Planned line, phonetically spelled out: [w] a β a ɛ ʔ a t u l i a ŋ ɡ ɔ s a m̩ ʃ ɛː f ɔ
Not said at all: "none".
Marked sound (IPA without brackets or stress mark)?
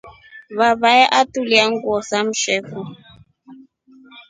β